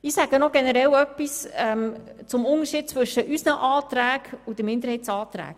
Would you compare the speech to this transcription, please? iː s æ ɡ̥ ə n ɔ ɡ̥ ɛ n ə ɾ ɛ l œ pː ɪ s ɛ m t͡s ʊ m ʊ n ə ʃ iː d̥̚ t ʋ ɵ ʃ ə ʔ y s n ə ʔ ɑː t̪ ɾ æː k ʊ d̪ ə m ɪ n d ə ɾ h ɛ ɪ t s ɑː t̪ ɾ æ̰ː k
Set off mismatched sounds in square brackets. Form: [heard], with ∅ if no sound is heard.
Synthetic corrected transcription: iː s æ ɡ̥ ə n ɔ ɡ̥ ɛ n ə ɾ ɛ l œ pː [i] s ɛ m t͡s ʊ m ʊ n ə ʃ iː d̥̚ [t͡s] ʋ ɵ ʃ ə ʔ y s n ə ʔ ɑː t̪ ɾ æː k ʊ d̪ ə m ɪ n d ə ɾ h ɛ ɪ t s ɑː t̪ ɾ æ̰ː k